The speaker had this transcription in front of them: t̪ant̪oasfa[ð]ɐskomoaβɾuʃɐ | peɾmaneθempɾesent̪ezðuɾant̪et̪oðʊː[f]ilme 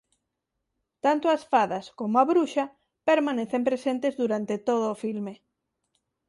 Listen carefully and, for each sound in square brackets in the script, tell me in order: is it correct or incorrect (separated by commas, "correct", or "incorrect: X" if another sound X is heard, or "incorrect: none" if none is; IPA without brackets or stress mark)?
correct, correct